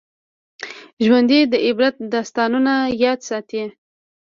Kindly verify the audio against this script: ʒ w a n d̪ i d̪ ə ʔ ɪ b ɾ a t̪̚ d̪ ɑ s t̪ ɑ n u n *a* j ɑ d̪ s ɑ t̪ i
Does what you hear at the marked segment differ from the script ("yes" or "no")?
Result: no